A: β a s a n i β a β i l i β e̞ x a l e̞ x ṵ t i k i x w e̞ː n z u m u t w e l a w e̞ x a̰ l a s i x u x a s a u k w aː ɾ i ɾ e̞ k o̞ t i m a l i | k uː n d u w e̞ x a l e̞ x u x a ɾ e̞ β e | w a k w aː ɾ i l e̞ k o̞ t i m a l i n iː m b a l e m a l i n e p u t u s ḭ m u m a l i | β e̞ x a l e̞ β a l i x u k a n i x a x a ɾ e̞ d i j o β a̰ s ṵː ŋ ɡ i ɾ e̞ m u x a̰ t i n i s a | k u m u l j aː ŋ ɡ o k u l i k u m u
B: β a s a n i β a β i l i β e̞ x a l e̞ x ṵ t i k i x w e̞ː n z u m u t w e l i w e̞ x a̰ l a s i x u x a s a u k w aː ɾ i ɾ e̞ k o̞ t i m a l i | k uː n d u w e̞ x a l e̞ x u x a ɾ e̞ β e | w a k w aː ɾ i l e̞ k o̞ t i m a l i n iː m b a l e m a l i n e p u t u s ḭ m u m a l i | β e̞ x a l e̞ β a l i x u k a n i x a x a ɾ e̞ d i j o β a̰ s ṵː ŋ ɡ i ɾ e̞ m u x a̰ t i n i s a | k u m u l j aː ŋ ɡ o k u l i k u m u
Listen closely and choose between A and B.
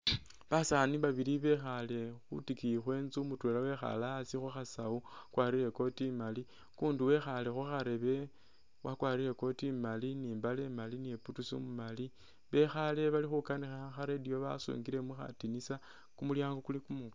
A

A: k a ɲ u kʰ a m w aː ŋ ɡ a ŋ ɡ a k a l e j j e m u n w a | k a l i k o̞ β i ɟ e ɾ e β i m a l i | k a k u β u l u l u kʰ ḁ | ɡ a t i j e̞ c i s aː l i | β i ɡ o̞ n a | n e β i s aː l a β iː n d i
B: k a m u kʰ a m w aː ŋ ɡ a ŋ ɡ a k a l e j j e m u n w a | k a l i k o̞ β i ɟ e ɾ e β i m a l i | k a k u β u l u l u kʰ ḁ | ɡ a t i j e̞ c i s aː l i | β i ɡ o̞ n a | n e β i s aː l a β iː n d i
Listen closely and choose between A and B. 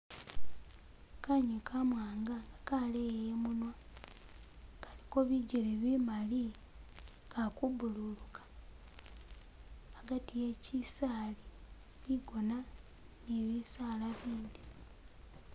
A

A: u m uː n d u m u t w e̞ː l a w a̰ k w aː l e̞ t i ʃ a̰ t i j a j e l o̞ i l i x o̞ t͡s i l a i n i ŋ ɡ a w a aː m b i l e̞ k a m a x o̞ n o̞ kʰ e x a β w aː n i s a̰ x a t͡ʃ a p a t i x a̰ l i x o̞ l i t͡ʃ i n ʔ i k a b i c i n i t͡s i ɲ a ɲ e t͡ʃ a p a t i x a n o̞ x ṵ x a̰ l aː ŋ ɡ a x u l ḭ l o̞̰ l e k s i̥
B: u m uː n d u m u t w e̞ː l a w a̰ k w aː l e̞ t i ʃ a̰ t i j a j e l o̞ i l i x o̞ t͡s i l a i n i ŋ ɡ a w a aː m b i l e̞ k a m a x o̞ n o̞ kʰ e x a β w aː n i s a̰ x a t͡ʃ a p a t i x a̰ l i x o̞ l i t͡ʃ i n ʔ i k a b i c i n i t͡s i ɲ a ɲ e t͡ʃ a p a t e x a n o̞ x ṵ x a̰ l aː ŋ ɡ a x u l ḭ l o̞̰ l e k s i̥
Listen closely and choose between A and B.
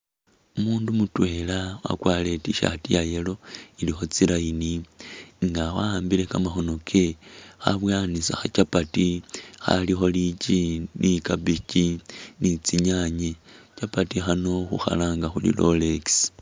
A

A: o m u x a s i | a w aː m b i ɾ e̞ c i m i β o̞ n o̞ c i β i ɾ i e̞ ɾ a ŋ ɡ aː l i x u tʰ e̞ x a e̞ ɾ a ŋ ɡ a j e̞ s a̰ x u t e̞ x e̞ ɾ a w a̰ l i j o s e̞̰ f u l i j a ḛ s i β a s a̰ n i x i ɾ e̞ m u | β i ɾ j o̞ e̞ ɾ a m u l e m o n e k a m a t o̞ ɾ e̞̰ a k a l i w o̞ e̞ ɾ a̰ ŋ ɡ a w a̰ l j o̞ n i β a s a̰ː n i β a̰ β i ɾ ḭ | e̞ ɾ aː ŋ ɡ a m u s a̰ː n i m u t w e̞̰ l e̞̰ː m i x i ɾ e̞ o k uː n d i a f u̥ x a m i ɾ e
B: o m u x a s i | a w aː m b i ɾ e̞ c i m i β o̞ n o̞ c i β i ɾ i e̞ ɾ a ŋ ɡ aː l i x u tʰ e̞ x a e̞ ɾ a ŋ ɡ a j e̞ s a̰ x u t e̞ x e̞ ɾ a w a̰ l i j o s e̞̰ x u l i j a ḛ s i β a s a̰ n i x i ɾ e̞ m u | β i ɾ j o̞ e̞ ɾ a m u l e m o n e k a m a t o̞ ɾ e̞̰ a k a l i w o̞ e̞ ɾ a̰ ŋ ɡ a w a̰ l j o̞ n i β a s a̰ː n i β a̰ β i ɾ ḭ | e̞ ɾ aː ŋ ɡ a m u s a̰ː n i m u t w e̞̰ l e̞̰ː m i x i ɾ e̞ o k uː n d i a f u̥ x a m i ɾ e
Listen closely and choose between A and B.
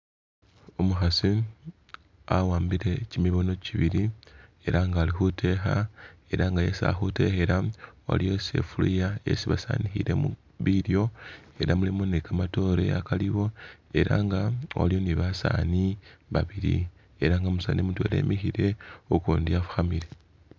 A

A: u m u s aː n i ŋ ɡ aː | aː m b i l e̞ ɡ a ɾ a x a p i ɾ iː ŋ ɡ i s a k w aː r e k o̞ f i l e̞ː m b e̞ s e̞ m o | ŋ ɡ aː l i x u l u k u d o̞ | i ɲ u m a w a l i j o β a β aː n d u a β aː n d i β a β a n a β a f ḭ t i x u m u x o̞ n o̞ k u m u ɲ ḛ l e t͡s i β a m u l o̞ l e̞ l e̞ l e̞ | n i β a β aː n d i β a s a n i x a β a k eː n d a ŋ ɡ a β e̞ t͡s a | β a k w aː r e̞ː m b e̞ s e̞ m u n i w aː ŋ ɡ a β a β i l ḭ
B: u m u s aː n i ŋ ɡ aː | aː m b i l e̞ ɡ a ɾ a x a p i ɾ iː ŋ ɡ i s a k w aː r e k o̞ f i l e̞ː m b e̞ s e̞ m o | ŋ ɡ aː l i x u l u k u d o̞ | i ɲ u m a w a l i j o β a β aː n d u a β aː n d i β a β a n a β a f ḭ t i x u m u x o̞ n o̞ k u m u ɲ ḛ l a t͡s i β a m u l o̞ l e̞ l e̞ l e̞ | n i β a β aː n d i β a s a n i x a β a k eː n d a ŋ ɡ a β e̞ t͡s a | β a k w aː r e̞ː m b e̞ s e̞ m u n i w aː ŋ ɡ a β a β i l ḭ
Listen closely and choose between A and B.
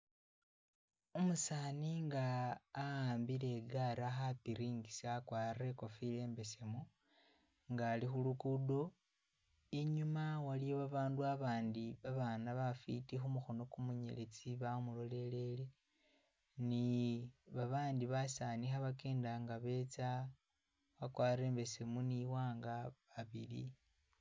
A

